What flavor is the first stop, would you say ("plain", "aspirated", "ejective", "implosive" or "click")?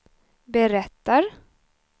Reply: plain